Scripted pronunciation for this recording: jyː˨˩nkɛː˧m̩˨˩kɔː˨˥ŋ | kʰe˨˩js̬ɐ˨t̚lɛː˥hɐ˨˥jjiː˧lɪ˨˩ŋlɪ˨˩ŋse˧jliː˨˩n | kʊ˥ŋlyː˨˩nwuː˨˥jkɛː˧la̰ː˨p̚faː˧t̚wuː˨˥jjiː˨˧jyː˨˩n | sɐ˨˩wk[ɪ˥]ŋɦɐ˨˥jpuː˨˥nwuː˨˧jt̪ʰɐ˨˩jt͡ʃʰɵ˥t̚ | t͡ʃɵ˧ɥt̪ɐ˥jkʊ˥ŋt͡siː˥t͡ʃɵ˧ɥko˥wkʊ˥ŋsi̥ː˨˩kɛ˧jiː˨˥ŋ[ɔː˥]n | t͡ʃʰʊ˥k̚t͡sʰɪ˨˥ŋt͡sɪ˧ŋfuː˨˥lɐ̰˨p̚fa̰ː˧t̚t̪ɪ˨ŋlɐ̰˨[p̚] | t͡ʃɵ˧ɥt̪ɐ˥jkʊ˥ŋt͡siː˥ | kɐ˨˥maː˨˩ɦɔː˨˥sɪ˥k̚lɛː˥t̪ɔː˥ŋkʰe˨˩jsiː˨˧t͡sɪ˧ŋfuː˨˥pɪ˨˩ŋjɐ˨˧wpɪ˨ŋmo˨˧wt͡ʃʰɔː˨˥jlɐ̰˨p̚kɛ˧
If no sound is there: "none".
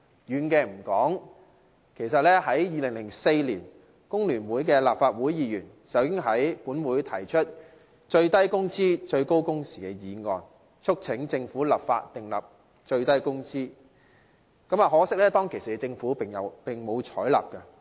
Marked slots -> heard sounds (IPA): ɪ˥, ɔː˧, p̚

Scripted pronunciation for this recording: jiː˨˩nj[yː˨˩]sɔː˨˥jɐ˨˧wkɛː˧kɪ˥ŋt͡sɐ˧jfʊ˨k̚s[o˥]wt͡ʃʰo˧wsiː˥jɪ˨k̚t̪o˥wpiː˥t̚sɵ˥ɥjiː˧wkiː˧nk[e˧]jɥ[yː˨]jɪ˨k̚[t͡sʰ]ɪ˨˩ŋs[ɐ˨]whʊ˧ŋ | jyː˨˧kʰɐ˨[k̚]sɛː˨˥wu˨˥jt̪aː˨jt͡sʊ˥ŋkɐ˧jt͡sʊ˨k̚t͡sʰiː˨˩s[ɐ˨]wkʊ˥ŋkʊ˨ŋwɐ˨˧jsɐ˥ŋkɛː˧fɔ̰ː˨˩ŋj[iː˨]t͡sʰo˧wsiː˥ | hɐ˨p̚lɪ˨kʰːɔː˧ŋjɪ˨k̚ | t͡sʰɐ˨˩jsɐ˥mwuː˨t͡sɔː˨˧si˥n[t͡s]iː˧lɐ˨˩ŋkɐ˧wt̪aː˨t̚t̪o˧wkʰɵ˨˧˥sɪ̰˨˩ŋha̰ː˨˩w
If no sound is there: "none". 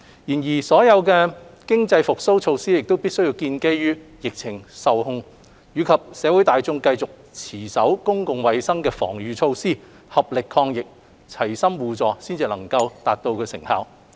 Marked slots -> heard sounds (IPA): iː˨˩, o˥, e˥, yː˥, t͡sʰ, ɐ˨, p̚, ɐ˨˥, yː˨, t͡s

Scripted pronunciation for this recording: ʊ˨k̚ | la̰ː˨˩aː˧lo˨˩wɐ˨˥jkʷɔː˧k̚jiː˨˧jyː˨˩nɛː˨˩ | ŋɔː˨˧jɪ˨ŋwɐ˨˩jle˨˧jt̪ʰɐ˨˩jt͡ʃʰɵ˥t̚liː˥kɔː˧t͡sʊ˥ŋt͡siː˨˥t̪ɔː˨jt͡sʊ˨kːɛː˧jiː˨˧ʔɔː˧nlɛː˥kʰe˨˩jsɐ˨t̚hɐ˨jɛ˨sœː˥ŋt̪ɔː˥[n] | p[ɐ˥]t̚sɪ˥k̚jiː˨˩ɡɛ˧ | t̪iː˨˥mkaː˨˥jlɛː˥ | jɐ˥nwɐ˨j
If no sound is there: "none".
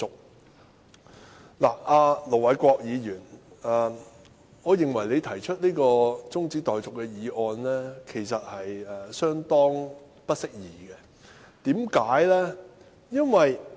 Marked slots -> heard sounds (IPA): ŋ, ɐ˥

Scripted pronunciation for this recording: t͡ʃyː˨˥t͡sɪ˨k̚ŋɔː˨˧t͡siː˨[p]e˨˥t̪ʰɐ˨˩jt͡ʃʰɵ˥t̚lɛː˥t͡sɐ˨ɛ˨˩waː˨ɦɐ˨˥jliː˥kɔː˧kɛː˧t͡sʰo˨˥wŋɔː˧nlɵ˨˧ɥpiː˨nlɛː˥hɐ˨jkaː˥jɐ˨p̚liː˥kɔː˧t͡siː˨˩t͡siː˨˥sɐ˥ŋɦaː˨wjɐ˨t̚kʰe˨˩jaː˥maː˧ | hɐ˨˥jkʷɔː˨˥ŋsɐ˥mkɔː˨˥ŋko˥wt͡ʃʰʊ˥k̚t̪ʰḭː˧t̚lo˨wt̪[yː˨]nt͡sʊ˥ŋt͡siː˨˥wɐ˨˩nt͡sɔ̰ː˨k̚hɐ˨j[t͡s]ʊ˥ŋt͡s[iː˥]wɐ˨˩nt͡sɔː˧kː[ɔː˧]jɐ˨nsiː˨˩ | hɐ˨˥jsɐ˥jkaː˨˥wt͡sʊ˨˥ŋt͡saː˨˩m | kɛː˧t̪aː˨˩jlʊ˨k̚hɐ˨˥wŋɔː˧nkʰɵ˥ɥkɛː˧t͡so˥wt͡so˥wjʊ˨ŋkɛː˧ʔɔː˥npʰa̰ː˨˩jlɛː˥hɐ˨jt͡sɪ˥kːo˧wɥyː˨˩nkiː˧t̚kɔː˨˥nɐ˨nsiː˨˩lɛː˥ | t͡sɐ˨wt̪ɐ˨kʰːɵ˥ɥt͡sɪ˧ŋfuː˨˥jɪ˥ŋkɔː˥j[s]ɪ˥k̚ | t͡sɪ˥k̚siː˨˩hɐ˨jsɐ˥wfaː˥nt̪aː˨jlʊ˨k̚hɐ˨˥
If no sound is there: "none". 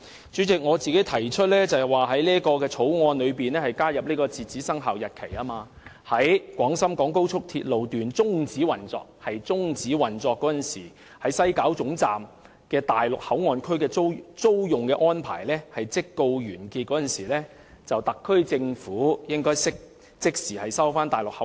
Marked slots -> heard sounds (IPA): k, yː˨, t͡s, iː˨˥, ɔː˨˥, s

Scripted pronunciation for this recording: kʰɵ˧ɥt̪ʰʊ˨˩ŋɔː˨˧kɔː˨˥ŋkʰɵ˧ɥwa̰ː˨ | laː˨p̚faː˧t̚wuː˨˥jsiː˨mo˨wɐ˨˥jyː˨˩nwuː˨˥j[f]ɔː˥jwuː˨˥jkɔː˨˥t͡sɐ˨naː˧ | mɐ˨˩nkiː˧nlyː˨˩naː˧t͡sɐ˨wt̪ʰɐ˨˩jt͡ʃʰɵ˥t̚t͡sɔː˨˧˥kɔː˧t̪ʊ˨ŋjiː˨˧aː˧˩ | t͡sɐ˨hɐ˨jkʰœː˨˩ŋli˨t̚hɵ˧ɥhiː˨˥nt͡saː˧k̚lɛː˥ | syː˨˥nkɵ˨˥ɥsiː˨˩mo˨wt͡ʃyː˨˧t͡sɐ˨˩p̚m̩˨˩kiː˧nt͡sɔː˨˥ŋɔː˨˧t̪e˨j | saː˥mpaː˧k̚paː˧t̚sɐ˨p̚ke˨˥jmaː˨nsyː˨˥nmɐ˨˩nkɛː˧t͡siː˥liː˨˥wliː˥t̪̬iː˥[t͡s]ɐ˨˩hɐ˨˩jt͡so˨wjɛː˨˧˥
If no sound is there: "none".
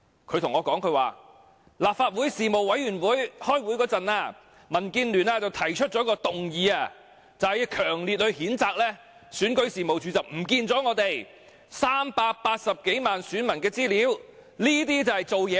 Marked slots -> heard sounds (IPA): h, t͡s

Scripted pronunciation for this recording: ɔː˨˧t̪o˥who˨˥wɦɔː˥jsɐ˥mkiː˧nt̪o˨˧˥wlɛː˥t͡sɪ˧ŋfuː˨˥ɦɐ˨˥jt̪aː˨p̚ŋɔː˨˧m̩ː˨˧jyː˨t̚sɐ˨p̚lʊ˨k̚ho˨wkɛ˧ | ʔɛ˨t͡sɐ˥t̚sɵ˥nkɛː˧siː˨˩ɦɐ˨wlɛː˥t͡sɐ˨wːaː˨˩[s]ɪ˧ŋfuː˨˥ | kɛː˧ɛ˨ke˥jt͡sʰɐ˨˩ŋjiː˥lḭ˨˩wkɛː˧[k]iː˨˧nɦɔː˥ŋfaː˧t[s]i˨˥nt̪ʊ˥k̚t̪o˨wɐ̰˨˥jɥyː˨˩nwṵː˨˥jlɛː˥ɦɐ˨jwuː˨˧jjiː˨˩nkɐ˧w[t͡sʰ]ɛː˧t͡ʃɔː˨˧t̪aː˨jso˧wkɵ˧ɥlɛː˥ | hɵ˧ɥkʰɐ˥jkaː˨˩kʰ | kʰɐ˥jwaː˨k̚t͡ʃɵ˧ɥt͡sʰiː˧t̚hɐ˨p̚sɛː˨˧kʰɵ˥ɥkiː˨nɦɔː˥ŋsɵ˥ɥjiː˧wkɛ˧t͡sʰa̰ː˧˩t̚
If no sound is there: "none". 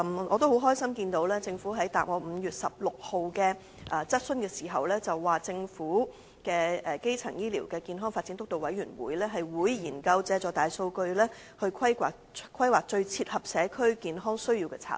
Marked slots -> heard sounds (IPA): t͡s, k, t͡s, t͡s

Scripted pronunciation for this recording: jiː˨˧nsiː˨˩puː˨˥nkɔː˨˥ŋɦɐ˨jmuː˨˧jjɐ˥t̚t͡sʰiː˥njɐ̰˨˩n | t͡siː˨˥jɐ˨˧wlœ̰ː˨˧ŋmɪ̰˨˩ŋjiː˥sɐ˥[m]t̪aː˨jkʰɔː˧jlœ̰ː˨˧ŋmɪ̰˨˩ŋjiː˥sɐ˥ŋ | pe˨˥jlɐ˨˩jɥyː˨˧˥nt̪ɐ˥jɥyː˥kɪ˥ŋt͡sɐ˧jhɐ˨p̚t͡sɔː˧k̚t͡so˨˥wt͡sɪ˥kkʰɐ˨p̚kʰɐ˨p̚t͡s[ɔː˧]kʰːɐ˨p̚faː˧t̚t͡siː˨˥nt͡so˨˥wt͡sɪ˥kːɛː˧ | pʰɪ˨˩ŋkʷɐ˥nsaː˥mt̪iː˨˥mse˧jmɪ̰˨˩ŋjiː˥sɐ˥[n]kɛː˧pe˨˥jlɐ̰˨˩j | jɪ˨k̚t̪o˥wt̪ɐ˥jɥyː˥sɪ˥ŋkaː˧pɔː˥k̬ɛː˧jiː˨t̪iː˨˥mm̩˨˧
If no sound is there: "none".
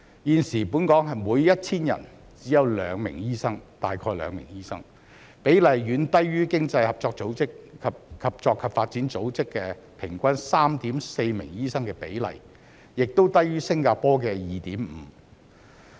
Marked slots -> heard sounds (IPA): ŋ, ɔː˧, ŋ

